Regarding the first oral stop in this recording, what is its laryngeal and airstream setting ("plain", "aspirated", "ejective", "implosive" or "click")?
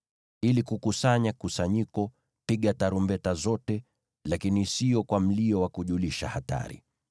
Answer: plain